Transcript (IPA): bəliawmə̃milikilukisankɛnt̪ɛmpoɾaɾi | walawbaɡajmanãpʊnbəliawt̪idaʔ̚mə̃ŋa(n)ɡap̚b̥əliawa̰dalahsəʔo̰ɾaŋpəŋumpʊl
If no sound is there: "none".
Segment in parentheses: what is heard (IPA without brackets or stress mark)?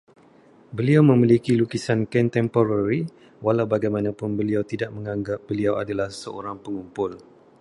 ŋ